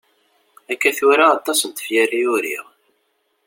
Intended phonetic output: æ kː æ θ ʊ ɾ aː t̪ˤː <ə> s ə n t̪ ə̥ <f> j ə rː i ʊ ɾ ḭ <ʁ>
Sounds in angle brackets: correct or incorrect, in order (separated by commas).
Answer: incorrect, correct, correct